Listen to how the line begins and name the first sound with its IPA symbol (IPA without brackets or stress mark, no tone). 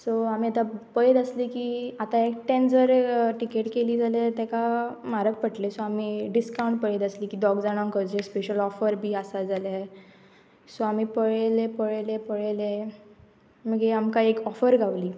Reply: s